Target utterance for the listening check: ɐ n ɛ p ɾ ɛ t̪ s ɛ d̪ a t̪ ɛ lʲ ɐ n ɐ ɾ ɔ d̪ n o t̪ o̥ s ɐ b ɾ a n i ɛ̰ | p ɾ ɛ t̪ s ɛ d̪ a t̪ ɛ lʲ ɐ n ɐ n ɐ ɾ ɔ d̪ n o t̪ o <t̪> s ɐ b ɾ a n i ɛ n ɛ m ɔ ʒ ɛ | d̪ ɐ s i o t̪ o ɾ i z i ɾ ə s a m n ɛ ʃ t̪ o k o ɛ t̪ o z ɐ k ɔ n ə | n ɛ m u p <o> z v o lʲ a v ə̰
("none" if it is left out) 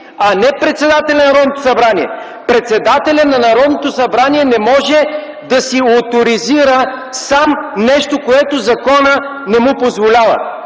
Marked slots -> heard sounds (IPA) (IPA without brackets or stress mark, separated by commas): none, o